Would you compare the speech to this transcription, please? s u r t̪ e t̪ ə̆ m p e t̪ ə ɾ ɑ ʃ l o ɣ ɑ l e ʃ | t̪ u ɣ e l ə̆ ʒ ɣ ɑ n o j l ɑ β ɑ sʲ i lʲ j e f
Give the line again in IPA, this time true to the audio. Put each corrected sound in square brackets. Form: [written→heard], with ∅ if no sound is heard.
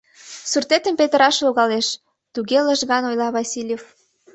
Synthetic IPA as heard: s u r t̪ e t̪ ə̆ m p e t̪ ə ɾ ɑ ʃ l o ɣ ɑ l e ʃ | t̪ u ɣ e l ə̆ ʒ ɣ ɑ n o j l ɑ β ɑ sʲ i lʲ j e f